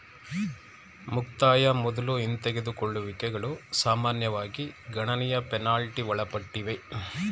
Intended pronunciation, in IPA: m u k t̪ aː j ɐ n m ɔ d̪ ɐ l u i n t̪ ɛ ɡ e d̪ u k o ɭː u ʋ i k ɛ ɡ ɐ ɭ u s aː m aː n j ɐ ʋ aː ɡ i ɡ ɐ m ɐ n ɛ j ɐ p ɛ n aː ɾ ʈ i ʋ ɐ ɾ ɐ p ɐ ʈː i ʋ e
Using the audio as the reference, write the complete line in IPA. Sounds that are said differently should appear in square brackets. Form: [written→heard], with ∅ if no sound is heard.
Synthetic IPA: m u k t̪ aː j ɐ [n→∅] m ɔ d̪ ɐ l u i n t̪ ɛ ɡ e d̪ u k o ɭː u ʋ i k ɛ ɡ ɐ ɭ u s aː m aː n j ɐ ʋ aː ɡ i ɡ ɐ [m→ɳ] ɐ n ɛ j ɐ p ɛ n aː [ɾ→l] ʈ i ʋ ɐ [ɾ→ɭ] ɐ p ɐ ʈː i ʋ e